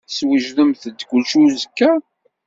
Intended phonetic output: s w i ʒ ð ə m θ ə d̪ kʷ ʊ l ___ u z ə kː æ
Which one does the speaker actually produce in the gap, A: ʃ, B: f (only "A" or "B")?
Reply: A